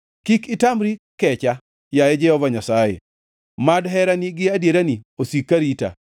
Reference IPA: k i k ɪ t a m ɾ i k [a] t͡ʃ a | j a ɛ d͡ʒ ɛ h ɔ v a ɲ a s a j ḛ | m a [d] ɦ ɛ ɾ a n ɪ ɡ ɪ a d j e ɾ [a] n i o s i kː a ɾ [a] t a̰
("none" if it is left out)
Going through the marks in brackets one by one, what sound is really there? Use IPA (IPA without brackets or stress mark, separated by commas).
ɛ, d, a, i